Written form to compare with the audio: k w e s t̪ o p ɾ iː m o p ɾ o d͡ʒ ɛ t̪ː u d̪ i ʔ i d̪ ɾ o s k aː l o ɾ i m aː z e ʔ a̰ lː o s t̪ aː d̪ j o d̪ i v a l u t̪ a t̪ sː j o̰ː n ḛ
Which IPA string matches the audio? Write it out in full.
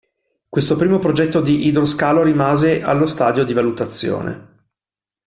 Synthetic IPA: k w e s t̪ o p ɾ iː m o p ɾ o d͡ʒ ɛ t̪ː o d̪ i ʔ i d̪ ɾ o s k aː l o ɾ i m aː z e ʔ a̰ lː o s t̪ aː d̪ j o d̪ i v a l u t̪ a t̪ sː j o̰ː n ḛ